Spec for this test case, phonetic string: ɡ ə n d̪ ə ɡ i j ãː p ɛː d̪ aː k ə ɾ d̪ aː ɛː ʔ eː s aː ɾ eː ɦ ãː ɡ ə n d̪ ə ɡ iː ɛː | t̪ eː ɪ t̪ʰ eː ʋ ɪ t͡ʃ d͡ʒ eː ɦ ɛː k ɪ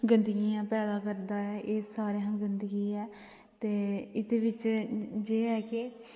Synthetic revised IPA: ɡ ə n d̪ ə ɡ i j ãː p ɛː d̪ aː k ə ɾ d̪ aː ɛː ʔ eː s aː ɾ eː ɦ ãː ɡ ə n d̪ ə ɡ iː ɛː | t̪ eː ɪ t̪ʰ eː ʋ ɪ t͡ʃ d͡ʒ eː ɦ ɛː k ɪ